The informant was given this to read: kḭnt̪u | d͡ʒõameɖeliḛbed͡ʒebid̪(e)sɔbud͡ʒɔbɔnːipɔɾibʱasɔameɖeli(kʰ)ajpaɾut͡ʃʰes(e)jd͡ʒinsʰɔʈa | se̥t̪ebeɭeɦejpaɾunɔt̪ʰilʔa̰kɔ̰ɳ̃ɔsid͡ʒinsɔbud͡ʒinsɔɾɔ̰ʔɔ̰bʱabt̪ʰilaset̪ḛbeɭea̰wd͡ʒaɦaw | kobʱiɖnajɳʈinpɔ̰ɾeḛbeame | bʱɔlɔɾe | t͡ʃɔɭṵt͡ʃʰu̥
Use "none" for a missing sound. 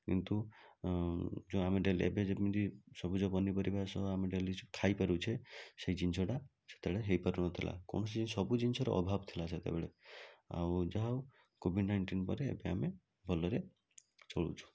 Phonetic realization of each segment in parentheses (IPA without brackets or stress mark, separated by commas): i, kʰ, e